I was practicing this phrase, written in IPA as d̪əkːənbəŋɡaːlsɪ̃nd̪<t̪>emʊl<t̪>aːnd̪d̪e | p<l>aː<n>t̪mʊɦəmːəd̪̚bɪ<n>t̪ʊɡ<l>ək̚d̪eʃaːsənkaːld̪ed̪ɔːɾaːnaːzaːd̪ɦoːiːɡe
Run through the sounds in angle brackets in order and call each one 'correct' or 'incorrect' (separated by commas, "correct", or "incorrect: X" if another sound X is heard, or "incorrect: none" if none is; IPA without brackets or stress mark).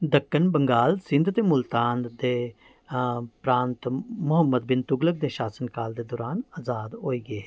correct, correct, incorrect: ɾ, correct, correct, correct